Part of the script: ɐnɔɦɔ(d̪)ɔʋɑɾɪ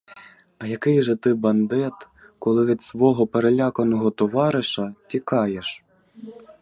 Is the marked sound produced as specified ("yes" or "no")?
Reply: no